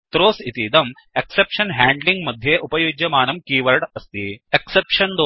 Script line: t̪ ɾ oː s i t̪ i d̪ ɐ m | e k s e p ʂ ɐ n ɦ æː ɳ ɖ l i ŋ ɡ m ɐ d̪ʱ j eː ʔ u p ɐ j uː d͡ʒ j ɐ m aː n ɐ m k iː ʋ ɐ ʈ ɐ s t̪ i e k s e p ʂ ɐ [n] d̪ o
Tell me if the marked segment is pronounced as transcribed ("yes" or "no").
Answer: yes